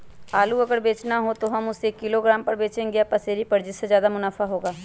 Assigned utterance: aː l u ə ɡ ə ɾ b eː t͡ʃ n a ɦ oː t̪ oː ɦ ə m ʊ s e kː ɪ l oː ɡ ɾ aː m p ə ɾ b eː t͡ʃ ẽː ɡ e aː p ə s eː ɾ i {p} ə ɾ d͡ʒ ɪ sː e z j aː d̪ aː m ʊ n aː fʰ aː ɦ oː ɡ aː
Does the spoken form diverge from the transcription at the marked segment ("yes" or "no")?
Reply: no